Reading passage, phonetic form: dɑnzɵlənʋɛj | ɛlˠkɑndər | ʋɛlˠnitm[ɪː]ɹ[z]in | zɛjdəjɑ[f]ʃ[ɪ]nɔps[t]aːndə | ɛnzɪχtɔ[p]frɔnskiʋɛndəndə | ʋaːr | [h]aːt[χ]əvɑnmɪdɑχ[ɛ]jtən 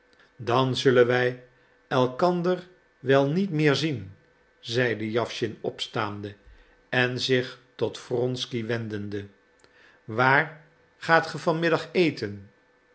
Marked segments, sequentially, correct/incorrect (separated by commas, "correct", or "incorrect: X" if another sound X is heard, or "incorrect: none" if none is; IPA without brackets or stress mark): correct, correct, correct, correct, correct, incorrect: t, incorrect: χ, correct, incorrect: e